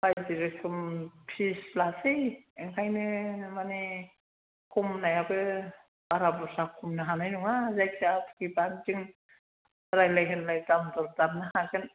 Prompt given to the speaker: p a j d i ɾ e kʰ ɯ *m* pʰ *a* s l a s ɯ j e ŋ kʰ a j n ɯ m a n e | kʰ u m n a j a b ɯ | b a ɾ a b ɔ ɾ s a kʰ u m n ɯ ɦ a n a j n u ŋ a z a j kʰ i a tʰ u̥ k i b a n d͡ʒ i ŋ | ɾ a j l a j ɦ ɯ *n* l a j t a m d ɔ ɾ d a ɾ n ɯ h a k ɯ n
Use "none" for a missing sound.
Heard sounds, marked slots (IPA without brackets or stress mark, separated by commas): m, i, n